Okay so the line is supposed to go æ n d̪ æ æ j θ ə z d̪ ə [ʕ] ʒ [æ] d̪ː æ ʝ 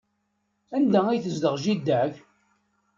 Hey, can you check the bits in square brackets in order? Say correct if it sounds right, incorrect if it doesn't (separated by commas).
incorrect, incorrect